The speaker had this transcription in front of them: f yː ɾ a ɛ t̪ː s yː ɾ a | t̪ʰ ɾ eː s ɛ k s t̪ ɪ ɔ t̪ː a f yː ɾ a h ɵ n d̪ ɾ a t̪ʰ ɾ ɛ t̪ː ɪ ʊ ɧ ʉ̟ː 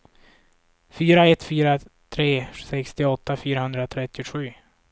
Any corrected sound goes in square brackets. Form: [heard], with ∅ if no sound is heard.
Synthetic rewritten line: f yː ɾ a ɛ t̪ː [f] yː ɾ a | t̪ʰ ɾ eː s ɛ k s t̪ ɪ ɔ t̪ː a f yː ɾ a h ɵ n d̪ ɾ a t̪ʰ ɾ ɛ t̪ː ɪ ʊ ɧ ʉ̟ː